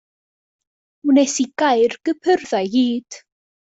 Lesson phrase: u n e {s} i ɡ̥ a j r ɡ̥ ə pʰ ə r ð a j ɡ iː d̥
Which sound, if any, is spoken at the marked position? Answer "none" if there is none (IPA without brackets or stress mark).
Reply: s